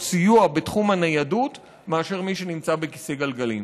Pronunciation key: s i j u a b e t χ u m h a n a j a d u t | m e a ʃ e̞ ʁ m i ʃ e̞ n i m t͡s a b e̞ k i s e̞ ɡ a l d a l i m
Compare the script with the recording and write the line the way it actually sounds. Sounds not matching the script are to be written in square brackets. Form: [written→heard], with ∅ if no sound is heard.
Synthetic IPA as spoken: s i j u a b e t χ u m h a n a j a d u t | m e a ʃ e̞ ʁ m i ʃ e̞ n i m t͡s a b e̞ k i s e̞ ɡ a l [d→ɡ] a l i m

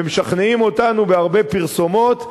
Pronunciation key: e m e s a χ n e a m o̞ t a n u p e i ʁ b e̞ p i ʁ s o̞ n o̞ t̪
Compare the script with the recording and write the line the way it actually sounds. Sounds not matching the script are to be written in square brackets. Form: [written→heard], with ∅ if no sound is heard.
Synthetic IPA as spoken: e m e [s→ʃ] a χ n e [a→i] m o̞ t a n u [p→b] e [i→a] ʁ b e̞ p i ʁ s o̞ [n→m] o̞ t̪

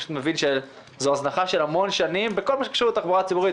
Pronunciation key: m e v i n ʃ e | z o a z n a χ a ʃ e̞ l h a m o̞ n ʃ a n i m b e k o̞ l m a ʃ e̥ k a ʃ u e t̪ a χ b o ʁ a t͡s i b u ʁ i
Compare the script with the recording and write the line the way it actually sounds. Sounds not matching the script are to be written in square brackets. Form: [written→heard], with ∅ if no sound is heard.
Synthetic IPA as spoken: m e v i n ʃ e | z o a z n a χ a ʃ e̞ l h a m o̞ n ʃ a n i m b e k o̞ l m a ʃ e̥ k a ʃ u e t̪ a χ b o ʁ a t͡s i b u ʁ i

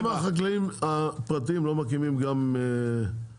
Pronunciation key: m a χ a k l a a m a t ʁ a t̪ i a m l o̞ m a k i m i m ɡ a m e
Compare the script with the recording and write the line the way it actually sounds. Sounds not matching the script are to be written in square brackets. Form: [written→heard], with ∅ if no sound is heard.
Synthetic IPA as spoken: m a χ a k l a [a→i] m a [t→p] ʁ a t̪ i [a→i] m l o̞ m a k i m i m ɡ a m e

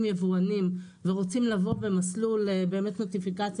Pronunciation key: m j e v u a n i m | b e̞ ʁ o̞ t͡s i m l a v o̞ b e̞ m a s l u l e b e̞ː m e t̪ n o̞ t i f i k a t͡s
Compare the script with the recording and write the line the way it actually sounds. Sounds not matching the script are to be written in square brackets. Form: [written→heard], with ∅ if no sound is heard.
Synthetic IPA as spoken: m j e v u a n i m | [b→v] e̞ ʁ o̞ t͡s i m l a v o̞ b e̞ m a s l u l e b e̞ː m e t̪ n o̞ t i f i k a t͡s

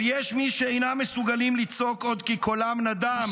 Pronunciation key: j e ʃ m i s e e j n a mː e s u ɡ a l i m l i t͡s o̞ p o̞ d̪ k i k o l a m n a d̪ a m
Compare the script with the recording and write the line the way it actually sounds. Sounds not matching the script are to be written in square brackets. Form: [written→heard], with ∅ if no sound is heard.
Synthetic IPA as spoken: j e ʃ m i [s→ʃ] e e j n a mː e s u ɡ a l i m l i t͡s o̞ [p→k] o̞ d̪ k i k o l a m n a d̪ a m

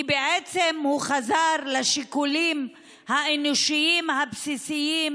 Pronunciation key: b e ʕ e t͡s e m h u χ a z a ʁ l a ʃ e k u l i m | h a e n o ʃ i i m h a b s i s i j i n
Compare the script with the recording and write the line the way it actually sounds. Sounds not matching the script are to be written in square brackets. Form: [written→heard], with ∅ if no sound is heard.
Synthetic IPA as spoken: b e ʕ e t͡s e m h u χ a z a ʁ l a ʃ [e→i] k u l i m | h a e n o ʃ i i m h a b s i s i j i [n→m]

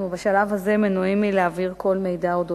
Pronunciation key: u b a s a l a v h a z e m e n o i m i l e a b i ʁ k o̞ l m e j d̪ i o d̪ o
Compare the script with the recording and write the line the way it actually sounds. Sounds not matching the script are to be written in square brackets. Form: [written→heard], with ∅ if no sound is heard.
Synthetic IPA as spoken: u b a [s→ʃ] a l a v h a z e m e n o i m i l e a [b→v] i ʁ k o̞ l m e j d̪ [i→a] o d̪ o

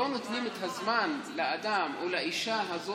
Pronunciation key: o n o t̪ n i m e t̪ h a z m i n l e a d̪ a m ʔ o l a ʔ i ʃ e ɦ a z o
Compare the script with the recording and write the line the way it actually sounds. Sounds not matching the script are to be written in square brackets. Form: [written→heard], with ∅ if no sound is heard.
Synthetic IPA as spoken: o n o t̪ n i m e t̪ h a z m [i→a] n l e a d̪ a m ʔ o l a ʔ i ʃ [e→a] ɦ a z o

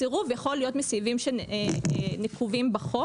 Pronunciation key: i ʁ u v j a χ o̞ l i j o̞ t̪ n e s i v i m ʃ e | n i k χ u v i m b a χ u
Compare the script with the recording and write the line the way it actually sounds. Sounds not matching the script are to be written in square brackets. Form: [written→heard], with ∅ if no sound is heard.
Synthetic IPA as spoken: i ʁ u v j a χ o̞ l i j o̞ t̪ [n→m] e s i v i m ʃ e | n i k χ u v i m b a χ [u→o]

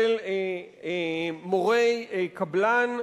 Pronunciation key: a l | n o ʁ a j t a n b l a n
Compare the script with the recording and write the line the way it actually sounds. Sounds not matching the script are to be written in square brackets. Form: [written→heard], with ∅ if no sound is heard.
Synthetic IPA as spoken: [a→e] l | [n→m] o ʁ [a→e] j [t→k] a [n→∅] b l a n

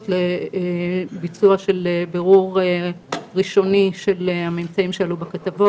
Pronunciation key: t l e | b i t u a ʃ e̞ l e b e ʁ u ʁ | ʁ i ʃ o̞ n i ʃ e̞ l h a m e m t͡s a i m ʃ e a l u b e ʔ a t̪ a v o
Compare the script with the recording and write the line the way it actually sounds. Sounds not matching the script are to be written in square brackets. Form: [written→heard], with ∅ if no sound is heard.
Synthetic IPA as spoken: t l e | b i [t→t͡s] u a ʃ e̞ l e b e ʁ u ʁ | ʁ i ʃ o̞ n i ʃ e̞ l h a m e m t͡s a i m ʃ e a l u b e [ʔ→k] a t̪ a v o

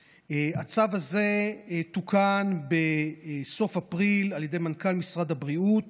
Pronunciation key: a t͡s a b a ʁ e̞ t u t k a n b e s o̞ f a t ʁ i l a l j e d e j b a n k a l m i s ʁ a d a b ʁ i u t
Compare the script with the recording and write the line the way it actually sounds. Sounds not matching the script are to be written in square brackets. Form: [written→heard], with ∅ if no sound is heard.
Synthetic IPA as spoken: a t͡s a [b→v] a [ʁ→z] e̞ t u [t→∅] k a n b e s o̞ f a [t→p] ʁ i l a l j e d e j [b→m] a n k a l m i s ʁ a d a b ʁ i u t

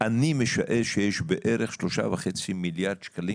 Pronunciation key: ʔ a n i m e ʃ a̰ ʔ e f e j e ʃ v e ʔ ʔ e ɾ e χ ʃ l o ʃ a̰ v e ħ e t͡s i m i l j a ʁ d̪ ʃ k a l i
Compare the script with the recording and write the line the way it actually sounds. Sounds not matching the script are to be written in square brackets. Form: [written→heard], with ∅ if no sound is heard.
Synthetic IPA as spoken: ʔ a n i m e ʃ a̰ ʔ e [f→ʃ] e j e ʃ [v→b] e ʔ ʔ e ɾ e χ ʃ l o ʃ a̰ v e [ħ→χ] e t͡s i m i l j a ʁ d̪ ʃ k a l i

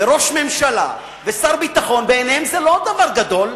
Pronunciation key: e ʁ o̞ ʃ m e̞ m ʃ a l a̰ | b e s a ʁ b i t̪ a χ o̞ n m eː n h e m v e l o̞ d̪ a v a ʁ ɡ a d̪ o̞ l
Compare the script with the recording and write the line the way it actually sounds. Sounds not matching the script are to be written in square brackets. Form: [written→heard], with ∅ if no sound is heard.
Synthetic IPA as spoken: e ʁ o̞ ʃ m e̞ m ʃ a l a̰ | [b→v] e s a ʁ b i t̪ a χ o̞ n [m→b] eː n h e m [v→z] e l o̞ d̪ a v a ʁ ɡ a d̪ o̞ l

